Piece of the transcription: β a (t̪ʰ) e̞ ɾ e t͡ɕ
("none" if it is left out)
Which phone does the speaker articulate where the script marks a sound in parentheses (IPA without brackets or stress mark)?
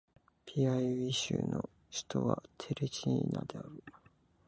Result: t̪ʰ